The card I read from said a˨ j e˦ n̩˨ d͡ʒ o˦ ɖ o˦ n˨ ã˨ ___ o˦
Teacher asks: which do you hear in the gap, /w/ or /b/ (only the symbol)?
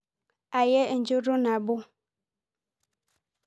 b